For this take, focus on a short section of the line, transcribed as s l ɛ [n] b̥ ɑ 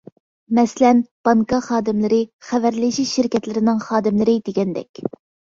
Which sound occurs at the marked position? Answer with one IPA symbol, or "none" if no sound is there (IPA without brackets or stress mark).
n